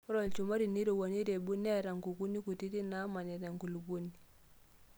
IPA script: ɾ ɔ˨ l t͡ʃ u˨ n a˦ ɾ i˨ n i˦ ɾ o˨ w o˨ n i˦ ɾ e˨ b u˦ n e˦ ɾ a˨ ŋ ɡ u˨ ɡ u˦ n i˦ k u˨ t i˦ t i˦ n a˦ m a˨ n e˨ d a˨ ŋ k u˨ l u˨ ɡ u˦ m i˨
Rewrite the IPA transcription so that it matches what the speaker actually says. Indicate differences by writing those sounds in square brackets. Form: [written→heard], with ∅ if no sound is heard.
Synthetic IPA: ɾ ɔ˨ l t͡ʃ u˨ [n→m] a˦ ɾ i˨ n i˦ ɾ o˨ w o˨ n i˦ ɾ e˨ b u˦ n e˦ ɾ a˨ ŋ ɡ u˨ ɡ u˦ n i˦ k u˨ t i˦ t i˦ n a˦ m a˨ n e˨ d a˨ ŋ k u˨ l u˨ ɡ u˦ [m→n] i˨